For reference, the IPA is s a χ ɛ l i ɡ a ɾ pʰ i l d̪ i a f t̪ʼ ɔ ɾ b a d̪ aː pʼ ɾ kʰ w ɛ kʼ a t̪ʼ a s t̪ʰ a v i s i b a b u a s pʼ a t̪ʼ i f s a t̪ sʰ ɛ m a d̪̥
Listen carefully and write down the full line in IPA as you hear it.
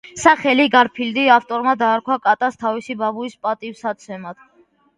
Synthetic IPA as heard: s a χ ɛ l i ɡ a ɾ pʰ i l d̪ i a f t̪ʼ ɔ ɾ m a d̪ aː ɾ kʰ w a kʼ a t̪ʼ a s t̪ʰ a v i s i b a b u i s pʼ a t̪ʼ i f s a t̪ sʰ ɛ m a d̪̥